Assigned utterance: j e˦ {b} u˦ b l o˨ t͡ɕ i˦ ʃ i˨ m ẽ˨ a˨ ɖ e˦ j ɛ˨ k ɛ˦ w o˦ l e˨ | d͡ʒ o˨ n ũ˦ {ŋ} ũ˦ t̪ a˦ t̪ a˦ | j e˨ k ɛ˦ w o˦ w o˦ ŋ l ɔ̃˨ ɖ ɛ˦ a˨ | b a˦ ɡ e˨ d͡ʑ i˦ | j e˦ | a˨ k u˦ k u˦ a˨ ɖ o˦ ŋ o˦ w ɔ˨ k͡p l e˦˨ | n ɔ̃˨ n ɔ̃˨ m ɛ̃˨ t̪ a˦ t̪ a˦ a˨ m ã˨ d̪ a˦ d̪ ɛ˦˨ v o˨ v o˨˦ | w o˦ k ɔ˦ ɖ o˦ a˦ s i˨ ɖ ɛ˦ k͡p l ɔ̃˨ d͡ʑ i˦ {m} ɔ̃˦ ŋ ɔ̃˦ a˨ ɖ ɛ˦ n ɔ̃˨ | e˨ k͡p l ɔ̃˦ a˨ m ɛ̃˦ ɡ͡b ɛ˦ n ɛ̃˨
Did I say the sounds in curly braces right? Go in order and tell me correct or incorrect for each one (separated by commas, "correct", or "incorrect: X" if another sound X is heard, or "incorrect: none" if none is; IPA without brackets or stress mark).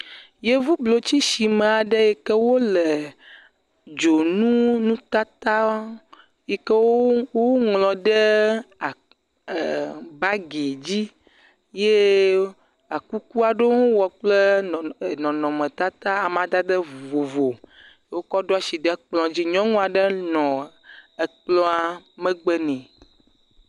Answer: incorrect: v, incorrect: n, incorrect: ɲ